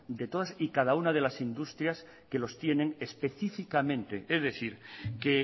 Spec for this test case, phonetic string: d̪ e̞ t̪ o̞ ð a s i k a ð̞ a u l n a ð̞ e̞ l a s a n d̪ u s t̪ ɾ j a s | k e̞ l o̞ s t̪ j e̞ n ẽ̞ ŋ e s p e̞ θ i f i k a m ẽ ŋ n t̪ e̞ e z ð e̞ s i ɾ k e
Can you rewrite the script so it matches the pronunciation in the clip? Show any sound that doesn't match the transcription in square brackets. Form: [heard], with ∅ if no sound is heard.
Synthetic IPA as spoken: d̪ e̞ t̪ o̞ ð a s i k a ð̞ a u [∅] n a ð̞ e̞ l a s [i] n d̪ u s t̪ ɾ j a s | k e̞ l o̞ s t̪ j e̞ n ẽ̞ ŋ e s p e̞ θ i f i k a m ẽ [∅] n t̪ e̞ e z ð e̞ [θ] i ɾ k e